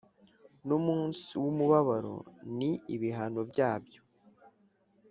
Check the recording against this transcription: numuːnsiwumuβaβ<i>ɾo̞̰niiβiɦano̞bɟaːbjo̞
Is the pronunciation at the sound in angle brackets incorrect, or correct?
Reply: incorrect: a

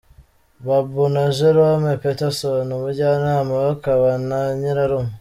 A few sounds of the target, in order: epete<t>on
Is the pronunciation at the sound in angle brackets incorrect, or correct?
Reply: incorrect: s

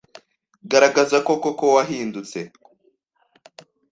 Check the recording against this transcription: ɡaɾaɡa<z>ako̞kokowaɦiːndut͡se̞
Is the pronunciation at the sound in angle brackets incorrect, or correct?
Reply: correct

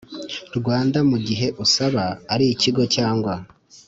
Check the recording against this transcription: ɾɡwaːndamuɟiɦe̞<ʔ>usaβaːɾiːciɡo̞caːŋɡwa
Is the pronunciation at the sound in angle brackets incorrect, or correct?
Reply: correct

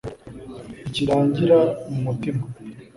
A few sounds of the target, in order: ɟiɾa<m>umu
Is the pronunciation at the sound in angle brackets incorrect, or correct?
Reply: correct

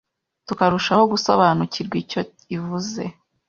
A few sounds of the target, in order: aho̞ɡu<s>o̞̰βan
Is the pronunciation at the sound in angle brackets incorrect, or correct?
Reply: correct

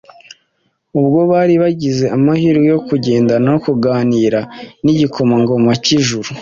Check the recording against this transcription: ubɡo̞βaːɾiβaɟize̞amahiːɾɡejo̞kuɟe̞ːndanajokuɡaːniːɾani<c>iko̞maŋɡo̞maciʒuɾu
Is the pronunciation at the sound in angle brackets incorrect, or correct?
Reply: incorrect: ɟ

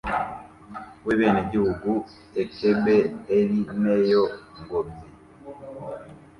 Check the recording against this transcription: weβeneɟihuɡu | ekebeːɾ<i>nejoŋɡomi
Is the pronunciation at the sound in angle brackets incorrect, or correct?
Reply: correct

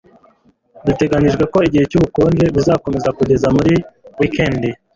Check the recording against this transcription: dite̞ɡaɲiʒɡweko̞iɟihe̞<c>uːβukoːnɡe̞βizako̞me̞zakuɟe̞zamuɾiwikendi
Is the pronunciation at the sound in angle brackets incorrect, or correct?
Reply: correct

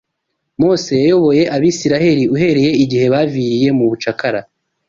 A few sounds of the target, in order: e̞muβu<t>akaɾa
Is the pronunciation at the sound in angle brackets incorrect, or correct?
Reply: incorrect: t͡ʃ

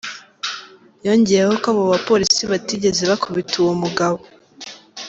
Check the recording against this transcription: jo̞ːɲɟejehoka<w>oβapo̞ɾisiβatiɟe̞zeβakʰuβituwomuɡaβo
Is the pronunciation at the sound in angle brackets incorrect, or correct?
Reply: incorrect: β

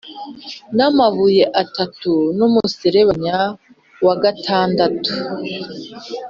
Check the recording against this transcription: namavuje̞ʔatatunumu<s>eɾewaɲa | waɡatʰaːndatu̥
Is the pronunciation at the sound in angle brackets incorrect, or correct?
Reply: correct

